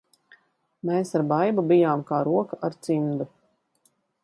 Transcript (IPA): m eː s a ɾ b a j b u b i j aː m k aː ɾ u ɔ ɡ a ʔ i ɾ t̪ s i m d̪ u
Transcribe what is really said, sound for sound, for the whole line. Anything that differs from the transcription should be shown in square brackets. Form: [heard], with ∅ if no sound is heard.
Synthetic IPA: m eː s a ɾ b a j b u b i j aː m k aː ɾ u ɔ [k] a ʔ [a] ɾ t̪ s i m d̪ u